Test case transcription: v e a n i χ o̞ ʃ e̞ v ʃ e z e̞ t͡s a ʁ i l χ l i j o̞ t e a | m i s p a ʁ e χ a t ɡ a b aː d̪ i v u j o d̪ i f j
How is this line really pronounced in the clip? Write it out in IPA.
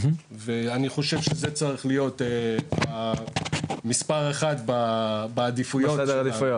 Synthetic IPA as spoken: v e a n i χ o̞ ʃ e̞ v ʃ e z e̞ t͡s a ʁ i χ l i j o̞ t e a | m i s p a ʁ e χ a t b a b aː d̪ i f u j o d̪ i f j

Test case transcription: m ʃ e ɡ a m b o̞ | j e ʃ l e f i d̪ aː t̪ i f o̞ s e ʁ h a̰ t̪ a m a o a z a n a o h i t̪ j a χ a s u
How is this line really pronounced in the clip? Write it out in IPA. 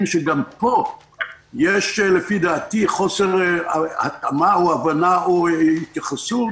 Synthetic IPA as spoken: m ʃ e ɡ a m p o̞ | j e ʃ l e f i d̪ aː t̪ i χ o̞ s e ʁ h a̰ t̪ a m a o a v a n a o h i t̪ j a χ a s u

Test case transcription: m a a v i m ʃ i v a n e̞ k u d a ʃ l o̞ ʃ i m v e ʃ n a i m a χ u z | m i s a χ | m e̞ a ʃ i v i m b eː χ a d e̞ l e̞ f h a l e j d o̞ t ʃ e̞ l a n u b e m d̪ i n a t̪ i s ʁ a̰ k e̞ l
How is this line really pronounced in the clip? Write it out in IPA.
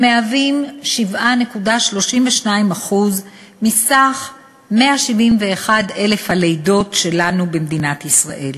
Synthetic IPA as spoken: m e a v i m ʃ i v a n e̞ k u d a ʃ l o̞ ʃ i m v e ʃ n a i m a χ u z | m i s a χ | m e̞ a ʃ i v i m v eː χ a d e̞ l e̞ f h a l e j d o̞ t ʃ e̞ l a n u b e m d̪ i n a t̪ i s ʁ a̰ ʔ e̞ l

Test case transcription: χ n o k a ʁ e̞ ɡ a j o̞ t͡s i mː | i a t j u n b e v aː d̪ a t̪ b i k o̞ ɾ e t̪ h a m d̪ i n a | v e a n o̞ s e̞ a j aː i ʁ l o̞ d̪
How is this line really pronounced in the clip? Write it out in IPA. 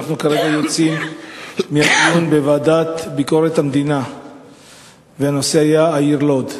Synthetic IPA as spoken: χ n u k a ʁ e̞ ɡ a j o̞ t͡s i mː | i a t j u n b e v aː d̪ a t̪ b i k o̞ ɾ e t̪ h a m d̪ i n a | v e a n o̞ s e̞ a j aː i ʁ l o̞ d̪

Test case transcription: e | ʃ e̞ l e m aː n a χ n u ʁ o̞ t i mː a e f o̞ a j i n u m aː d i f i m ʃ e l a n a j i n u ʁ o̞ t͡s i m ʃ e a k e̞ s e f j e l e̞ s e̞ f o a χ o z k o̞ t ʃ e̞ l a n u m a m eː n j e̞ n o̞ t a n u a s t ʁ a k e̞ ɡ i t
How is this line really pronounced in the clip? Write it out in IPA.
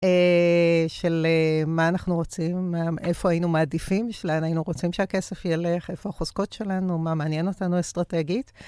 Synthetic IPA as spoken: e | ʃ e̞ l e m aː n a χ n u ʁ o̞ t͡s i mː a e f o̞ a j i n u m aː d i f i m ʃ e l a n a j i n u ʁ o̞ t͡s i m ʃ e a k e̞ s e f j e l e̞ χ e̞ f o a χ o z k o̞ t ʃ e̞ l a n u m a m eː n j e̞ n o̞ t a n u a s t ʁ a t e̞ ɡ i t

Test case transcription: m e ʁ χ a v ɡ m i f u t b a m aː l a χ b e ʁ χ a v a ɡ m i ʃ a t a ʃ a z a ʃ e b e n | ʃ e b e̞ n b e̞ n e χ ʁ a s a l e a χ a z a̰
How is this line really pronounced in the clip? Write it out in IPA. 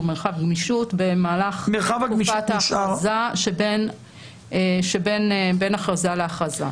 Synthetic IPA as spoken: m e ʁ χ a v ɡ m i ʃ u t b e m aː l a χ m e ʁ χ a v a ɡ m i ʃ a t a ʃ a z a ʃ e b e n | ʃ e b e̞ n b e̞ n a χ ʁ a z a l e a χ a z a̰

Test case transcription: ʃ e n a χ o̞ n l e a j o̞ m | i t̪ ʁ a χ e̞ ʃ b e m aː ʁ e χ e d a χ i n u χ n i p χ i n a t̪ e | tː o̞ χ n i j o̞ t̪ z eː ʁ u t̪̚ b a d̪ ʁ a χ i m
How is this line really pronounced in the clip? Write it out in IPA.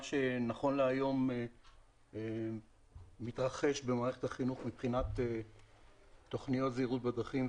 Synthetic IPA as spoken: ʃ e n a χ o̞ n l e a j o̞ m | i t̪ ʁ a χ e̞ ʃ b e m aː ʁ e χ e t a χ i n u χ m i p χ i n a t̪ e | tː o̞ χ n i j o̞ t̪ z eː ʁ u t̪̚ b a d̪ ʁ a χ i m

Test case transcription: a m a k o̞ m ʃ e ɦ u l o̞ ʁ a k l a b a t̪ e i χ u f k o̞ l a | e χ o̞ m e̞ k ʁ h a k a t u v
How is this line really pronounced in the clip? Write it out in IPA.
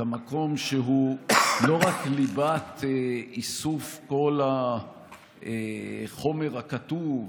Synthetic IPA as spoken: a m a k o̞ m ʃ e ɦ u l o̞ ʁ a k l i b a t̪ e i s u f k o̞ l a | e χ o̞ m e̞ ʁ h a k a t u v

